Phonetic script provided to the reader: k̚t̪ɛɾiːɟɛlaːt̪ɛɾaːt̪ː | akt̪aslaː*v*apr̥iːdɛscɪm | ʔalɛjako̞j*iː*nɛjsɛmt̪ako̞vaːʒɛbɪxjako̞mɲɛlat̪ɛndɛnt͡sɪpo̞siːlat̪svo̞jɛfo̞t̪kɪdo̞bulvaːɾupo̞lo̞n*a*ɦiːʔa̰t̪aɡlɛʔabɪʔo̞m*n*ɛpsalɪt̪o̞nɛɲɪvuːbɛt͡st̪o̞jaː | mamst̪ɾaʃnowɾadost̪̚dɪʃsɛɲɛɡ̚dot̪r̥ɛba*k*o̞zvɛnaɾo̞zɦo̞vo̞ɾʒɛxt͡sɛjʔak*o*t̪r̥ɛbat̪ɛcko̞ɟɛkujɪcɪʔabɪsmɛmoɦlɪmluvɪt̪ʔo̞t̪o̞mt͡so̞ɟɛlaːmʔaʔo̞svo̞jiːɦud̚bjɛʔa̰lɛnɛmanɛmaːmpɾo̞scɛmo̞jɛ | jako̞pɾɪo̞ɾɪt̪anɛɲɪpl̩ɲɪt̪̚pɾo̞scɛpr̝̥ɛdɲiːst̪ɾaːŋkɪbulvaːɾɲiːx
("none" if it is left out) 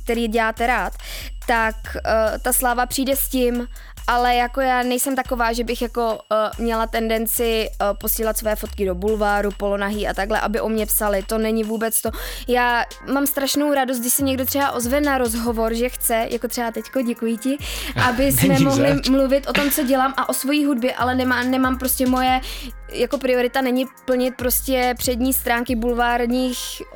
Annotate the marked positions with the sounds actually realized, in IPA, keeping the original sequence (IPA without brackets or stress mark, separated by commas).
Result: v, aː, a, ɲ, ʔ, o